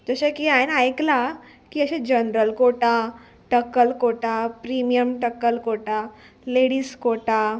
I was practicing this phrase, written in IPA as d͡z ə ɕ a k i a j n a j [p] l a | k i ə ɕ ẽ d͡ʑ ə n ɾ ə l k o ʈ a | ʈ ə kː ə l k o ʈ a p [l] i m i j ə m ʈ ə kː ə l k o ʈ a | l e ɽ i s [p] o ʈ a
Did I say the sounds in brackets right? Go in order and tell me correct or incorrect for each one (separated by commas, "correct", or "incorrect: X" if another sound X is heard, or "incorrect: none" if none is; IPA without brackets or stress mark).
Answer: incorrect: k, incorrect: ɾ, incorrect: k